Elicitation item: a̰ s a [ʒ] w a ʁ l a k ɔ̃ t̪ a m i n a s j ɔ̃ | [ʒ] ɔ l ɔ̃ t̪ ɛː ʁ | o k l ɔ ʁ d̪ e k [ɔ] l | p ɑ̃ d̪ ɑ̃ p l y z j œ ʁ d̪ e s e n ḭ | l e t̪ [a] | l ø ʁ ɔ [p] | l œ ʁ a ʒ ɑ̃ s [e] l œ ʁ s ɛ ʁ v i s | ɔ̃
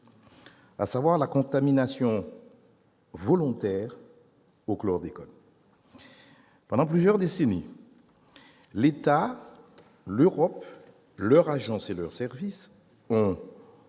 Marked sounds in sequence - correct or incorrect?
incorrect, incorrect, correct, correct, correct, correct

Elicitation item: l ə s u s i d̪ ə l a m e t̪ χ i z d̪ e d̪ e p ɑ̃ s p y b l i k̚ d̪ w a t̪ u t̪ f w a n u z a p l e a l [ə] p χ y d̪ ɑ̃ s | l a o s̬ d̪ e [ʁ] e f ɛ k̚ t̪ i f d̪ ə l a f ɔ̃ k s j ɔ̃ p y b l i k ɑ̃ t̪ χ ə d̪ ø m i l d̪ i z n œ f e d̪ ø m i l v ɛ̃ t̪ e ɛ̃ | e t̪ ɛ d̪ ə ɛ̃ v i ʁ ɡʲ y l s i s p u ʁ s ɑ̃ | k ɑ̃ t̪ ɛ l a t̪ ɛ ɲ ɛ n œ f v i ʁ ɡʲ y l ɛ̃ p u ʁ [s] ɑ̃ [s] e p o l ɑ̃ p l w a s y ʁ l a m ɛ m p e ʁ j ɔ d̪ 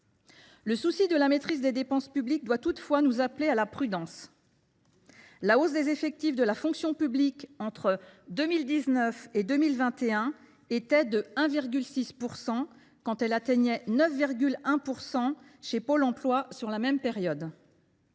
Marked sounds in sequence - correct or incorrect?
incorrect, incorrect, correct, incorrect

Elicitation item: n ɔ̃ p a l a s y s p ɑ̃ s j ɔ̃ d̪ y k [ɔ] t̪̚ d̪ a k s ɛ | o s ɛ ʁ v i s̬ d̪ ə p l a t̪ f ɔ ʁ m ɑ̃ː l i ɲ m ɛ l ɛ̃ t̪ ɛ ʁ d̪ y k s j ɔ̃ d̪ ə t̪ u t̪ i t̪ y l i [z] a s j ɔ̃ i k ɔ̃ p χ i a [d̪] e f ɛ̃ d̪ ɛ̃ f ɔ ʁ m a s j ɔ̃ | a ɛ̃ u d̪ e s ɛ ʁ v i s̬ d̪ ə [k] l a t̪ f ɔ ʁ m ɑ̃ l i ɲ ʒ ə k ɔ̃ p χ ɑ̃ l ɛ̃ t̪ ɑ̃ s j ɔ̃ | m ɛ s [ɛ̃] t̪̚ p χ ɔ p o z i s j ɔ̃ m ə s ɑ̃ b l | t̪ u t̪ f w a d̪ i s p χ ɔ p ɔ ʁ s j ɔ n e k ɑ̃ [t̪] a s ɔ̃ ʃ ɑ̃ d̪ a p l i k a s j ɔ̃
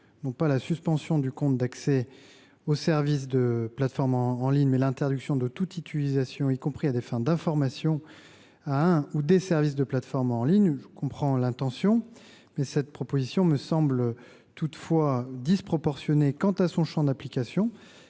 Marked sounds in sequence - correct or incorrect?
incorrect, correct, correct, incorrect, incorrect, correct

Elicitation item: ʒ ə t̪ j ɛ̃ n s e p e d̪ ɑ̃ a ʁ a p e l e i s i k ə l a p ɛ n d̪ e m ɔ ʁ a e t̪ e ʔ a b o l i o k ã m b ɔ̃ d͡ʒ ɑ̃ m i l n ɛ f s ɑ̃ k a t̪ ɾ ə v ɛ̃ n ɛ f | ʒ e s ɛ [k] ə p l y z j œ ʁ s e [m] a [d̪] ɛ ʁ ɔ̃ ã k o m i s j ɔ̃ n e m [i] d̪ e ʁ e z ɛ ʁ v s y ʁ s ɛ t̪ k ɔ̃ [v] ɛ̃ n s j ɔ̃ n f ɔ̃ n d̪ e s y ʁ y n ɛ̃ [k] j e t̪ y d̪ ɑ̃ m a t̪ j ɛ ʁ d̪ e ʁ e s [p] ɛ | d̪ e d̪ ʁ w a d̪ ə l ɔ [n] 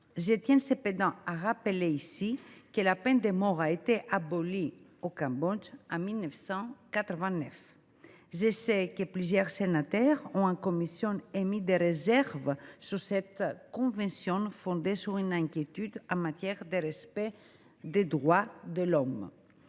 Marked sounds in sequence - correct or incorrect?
correct, incorrect, incorrect, correct, correct, correct, correct, incorrect

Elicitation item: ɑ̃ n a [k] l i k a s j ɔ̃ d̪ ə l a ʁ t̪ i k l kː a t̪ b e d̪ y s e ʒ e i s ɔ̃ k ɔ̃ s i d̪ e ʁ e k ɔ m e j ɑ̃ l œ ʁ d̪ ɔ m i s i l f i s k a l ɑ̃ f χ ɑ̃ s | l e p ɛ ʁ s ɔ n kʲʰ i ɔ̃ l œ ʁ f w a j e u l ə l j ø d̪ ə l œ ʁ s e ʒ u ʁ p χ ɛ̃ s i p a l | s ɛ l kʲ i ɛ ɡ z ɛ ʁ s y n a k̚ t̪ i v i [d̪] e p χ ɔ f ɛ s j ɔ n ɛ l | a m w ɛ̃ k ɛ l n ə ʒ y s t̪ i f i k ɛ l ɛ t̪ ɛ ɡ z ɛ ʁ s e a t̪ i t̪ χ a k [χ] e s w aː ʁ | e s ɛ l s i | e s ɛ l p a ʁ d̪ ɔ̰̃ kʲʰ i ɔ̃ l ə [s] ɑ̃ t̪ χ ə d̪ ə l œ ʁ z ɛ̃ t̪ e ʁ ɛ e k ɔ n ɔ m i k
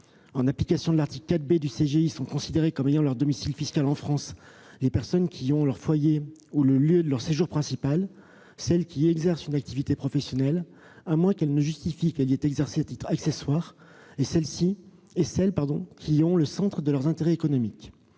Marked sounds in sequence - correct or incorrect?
incorrect, incorrect, incorrect, correct

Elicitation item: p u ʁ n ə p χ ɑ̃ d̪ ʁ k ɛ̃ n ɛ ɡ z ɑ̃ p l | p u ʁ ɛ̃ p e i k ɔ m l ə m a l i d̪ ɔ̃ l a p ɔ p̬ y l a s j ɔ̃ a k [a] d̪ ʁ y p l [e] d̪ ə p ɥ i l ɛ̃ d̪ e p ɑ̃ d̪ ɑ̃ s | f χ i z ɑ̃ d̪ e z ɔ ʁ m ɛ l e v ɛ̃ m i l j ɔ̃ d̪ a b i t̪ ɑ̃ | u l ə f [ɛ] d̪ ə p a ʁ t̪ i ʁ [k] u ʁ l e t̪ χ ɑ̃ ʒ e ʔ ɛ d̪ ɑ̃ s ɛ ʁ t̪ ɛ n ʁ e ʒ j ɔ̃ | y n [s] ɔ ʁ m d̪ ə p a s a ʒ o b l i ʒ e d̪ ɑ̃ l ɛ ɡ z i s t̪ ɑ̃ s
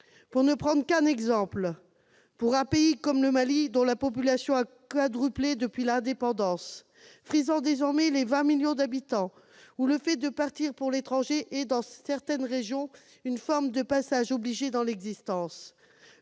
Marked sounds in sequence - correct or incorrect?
correct, correct, correct, incorrect, incorrect

